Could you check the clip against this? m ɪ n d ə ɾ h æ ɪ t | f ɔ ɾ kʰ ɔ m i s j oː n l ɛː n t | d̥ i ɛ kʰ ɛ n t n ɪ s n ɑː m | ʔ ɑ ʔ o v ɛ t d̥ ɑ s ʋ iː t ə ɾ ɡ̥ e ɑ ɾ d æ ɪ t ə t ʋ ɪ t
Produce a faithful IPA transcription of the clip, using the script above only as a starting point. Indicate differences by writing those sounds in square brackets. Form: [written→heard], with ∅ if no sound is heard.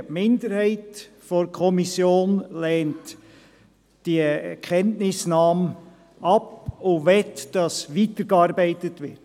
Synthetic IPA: m ɪ n d ə ɾ h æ ɪ t | f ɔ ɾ kʰ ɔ m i s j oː n l ɛː n t | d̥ i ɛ kʰ ɛ n t n ɪ s n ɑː m | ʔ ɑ [ʔ→p] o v ɛ t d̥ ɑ s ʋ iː t ə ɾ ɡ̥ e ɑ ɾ [d→b] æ ɪ t ə t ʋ ɪ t